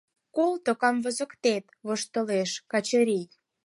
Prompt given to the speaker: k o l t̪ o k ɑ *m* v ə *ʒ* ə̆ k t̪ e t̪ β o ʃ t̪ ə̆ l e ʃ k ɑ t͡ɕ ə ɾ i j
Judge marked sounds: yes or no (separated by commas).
yes, no